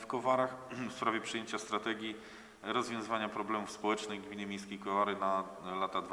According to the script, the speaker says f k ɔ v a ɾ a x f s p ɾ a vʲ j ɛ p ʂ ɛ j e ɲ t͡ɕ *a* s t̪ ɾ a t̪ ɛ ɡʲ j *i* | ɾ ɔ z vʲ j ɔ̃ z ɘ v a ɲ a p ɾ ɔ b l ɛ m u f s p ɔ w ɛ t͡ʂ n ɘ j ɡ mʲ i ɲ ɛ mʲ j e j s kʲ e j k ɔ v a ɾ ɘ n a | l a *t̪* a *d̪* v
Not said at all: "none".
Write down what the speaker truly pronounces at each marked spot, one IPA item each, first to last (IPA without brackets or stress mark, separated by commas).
a, i, t̪, d̪